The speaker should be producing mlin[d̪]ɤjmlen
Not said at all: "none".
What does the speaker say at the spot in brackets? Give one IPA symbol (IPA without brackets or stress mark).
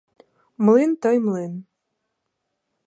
t̪